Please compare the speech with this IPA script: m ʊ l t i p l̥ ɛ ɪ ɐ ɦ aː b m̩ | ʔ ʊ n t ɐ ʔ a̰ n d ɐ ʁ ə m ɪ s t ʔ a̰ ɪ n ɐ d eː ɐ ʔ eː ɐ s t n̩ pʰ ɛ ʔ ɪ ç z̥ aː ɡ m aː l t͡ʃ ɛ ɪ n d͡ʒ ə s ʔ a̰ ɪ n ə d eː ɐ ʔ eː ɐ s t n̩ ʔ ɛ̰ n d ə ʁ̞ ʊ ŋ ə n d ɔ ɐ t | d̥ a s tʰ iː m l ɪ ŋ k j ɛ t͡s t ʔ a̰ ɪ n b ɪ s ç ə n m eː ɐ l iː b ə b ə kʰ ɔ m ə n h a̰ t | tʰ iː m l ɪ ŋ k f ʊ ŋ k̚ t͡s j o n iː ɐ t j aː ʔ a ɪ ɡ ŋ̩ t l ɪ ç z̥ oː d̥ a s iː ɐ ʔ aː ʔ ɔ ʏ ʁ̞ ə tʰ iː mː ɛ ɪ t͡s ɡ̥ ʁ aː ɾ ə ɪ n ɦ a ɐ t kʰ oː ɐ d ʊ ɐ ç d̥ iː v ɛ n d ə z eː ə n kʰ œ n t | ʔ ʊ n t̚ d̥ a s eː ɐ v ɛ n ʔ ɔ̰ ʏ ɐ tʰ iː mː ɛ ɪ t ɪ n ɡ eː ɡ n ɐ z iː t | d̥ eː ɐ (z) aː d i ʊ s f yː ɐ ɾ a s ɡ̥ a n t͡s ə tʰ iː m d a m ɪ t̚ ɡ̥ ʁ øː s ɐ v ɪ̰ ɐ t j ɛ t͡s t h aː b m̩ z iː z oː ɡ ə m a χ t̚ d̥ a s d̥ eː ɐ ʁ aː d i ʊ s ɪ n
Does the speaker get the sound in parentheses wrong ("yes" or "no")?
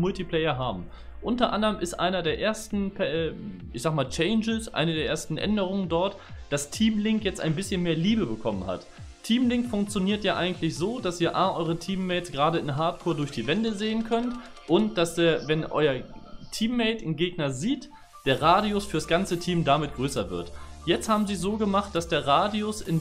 yes